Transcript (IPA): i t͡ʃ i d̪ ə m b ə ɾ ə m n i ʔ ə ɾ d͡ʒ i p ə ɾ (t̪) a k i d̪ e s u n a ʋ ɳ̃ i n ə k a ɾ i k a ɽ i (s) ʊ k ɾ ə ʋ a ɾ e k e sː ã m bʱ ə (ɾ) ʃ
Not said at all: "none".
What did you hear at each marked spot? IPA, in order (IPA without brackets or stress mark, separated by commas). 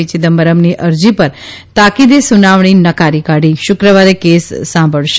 t̪, ʃ, ɭ